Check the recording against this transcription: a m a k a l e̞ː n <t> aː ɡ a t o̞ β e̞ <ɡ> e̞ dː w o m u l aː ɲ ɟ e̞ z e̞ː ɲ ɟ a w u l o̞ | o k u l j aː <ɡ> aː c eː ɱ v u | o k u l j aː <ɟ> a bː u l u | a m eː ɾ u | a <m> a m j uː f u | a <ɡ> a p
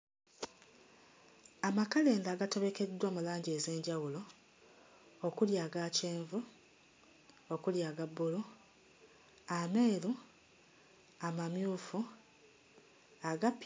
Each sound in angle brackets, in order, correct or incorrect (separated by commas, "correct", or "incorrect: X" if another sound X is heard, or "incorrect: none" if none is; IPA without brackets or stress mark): incorrect: d, incorrect: k, correct, incorrect: ɡ, correct, correct